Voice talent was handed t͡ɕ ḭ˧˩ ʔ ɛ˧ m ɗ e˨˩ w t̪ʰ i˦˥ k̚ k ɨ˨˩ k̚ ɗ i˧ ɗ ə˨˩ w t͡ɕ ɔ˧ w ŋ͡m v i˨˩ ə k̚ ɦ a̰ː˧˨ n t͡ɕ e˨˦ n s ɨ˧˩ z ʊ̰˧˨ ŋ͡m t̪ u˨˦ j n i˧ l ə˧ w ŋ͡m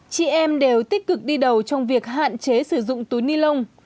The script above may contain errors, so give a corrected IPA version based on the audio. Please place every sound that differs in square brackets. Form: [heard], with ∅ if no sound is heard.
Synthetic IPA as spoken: t͡ɕ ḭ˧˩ ʔ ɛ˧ m ɗ e˨˩ w [t̪] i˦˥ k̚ k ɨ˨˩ k̚ ɗ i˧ ɗ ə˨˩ w t͡ɕ ɔ˧ w ŋ͡m v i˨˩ ə k̚ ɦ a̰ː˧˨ n t͡ɕ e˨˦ [∅] s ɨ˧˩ z ʊ̰˧˨ ŋ͡m t̪ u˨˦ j n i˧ l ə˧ w ŋ͡m